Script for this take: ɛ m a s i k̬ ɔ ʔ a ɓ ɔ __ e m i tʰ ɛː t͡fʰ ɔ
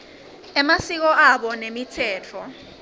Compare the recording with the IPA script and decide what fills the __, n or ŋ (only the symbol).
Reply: n